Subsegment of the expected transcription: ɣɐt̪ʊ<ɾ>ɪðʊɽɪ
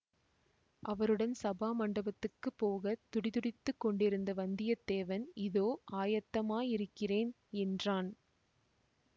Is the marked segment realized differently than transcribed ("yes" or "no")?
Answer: yes